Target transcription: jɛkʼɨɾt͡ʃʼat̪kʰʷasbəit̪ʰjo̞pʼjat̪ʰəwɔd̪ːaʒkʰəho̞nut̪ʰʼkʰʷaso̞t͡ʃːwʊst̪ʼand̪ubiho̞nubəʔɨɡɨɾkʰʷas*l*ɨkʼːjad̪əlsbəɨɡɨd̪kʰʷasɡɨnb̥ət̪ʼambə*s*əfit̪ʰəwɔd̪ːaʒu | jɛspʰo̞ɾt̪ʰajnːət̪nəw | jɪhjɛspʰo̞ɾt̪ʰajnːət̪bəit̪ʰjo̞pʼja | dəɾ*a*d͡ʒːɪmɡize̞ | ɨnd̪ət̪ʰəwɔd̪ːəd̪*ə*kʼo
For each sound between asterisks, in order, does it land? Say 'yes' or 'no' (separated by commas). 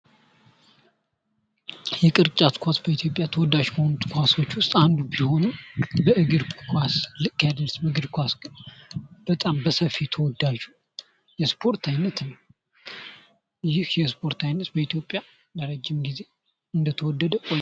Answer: yes, yes, no, yes